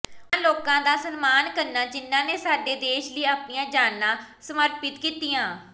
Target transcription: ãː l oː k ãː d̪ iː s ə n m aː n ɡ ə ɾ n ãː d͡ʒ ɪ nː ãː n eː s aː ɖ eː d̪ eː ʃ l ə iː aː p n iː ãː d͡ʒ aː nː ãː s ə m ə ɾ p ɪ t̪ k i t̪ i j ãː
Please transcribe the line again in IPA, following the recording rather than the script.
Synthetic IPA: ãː l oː k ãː d̪ aː s ə n m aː n k ə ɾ n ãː d͡ʒ ɪ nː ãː n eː s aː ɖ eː d̪ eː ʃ l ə iː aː p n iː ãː d͡ʒ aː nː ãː s ə m ə ɾ p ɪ t̪ k iː t̪ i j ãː

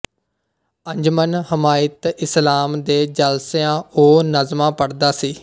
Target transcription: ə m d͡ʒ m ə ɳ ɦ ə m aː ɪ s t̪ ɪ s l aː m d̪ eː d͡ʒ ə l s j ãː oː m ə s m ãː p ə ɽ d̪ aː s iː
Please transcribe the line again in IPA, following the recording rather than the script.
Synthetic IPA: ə ɲ d͡ʒ m ə n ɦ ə m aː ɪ t̪ ɪ s l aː m d̪ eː d͡ʒ ə l s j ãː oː n ə z m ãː p ə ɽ d̪ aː s iː

